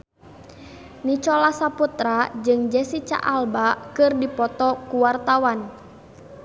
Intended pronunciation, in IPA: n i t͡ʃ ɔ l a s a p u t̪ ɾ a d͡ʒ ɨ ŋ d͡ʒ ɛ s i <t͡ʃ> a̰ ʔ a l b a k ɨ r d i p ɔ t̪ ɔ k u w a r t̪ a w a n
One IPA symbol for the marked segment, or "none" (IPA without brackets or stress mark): t͡ʃ